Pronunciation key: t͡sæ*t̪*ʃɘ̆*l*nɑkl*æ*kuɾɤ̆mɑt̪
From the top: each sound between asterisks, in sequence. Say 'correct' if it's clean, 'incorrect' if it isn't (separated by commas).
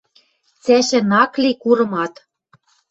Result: incorrect, incorrect, incorrect